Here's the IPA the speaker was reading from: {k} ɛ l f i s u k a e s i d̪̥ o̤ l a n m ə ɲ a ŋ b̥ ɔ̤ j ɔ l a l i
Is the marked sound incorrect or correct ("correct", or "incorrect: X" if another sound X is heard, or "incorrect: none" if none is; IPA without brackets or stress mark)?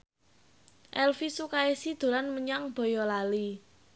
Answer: incorrect: ʔ